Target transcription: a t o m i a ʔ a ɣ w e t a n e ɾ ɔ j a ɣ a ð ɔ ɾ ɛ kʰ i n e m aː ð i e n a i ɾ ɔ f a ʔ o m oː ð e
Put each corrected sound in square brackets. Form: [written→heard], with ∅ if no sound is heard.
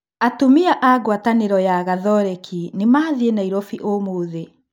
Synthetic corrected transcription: a t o m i a ʔ a ɣ w [e→a] t a n e ɾ ɔ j a ɣ a ð ɔ ɾ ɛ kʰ i n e m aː ð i e n a i ɾ ɔ f [a→i] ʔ o m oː ð e